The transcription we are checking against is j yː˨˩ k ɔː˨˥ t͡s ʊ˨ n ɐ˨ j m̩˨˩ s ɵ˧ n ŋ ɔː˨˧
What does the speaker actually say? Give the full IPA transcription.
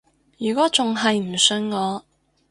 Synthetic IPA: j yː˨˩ k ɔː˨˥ t͡s ʊ˨ ŋ ɐ˨ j m̩˨˩ s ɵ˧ n ŋ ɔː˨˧